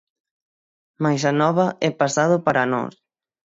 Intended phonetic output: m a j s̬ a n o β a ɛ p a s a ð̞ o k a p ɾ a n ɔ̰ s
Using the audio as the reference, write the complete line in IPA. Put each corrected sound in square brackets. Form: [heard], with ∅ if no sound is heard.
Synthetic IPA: m a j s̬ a n [ɔ] β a ɛ p a s a ð̞ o [p] a [∅] ɾ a n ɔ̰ s

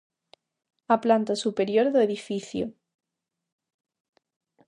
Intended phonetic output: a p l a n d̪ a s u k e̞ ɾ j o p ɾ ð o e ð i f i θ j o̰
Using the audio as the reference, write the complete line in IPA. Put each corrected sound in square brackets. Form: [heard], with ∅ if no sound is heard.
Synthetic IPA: a p l a n [t̪] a s u [p] e̞ ɾ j o [∅] ɾ ð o e ð i f i θ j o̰

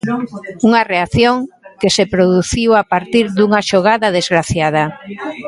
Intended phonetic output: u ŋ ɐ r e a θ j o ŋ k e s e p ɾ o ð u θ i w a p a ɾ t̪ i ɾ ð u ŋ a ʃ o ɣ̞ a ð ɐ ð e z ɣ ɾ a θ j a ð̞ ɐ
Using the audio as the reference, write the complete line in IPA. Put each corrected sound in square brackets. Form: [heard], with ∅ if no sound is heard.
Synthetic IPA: u ŋ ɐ r e a θ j o ŋ k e s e p ɾ o ð u θ i w a p a ɾ t̪ i ɾ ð u ŋ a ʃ o ɣ̞ a ð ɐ ð e z ɣ ɾ a θ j a ð̞ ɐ

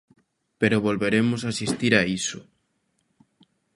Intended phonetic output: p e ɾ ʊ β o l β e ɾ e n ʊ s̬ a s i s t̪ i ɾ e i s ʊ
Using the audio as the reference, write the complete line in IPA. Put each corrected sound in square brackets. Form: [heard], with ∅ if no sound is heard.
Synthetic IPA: p e ɾ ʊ β o l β e ɾ e [m] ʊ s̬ a s i s t̪ i ɾ [a] i s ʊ

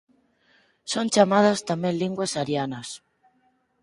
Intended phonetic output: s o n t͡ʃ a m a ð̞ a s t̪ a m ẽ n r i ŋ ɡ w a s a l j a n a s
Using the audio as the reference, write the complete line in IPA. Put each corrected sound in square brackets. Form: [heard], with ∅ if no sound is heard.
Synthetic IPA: s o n t͡ʃ a m a ð̞ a s t̪ a m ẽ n [l] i ŋ ɡ w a s a [ɾ] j a n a s

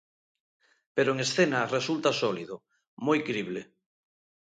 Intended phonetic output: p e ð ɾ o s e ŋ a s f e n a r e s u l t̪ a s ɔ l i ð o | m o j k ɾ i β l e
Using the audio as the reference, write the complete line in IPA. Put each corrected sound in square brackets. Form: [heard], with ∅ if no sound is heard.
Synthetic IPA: p e [∅] ɾ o [∅] e ŋ [e] s [θ] e n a r e s u l t̪ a s ɔ l i ð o | m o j k ɾ i β l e

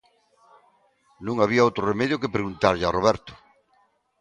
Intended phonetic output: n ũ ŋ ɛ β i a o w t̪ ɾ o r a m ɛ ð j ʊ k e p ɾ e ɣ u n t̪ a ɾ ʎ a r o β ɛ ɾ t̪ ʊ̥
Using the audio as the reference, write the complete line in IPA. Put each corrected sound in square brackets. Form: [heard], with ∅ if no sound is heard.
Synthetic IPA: n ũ ŋ [a] β i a o w t̪ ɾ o r [e] m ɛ ð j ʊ k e p ɾ e ɣ u n t̪ a ɾ ʎ a r o β ɛ ɾ t̪ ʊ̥

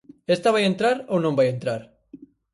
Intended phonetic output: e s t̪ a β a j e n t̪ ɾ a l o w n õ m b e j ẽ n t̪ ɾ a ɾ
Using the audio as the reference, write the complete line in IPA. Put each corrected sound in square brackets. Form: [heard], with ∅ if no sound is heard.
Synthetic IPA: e s t̪ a β a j e n t̪ ɾ a [ɾ] o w n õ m b [a] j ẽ n t̪ ɾ a ɾ

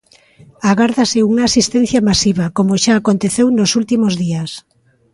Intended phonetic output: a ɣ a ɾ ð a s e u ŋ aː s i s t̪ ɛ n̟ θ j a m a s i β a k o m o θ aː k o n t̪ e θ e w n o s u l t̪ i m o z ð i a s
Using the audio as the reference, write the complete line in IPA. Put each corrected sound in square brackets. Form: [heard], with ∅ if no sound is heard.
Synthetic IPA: a ɣ a ɾ ð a s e u ŋ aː s i s t̪ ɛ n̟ θ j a m a s i β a k o m o [ʃ] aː k o n t̪ e θ e w n o s u l t̪ i m o z ð i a s

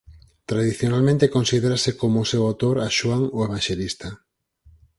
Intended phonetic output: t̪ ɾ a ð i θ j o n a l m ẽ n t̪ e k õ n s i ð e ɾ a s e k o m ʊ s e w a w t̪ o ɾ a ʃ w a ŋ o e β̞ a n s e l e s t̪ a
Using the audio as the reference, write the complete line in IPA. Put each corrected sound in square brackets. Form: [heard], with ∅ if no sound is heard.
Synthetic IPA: t̪ ɾ a ð i θ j o n a l m ẽ n t̪ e k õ n s i ð e ɾ a s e k o m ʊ s e w a w t̪ o ɾ a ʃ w a ŋ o e β̞ a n [ʃ] e l [i] s t̪ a

